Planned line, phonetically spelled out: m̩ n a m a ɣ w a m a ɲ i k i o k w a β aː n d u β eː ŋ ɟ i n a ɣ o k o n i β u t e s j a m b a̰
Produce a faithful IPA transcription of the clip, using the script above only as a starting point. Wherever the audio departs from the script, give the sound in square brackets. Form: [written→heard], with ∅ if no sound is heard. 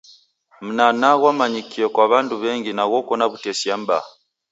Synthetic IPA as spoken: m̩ n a [m→n] a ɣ w a m a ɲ i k i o k w a β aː n d u β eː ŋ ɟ i n a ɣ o k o n [i→a] β u t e s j a m b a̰